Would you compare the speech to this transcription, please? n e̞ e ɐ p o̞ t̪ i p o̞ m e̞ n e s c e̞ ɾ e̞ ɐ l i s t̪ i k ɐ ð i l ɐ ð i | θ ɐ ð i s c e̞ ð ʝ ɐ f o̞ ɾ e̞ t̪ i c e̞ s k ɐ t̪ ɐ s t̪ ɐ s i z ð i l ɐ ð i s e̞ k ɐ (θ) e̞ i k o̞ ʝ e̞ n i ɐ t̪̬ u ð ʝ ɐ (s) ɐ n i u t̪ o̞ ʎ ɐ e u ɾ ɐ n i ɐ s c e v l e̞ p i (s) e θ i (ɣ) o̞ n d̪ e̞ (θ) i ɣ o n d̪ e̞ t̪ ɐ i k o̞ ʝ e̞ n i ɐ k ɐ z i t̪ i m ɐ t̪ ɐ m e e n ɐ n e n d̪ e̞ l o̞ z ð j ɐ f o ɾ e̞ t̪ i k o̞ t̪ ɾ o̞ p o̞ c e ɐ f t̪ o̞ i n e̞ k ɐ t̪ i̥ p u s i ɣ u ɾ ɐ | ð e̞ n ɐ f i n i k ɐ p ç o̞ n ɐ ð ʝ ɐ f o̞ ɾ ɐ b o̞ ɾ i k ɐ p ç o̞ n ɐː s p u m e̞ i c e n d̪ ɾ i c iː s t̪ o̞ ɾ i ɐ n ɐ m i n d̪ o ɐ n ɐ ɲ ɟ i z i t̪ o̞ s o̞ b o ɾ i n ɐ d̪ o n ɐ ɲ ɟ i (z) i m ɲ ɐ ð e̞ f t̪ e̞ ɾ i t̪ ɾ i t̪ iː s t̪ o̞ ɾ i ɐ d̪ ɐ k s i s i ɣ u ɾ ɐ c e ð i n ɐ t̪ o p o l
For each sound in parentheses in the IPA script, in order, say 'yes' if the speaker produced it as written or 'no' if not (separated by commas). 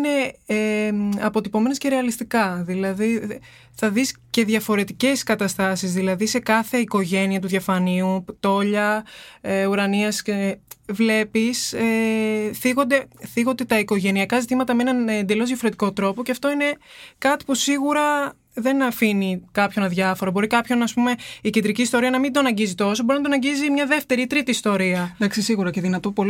yes, no, yes, yes, yes, yes